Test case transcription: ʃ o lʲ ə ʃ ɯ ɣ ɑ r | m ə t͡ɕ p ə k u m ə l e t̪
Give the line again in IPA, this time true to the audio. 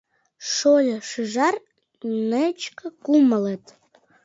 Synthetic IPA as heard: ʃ o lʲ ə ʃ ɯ ʒ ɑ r | n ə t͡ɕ k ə k u m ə l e t̪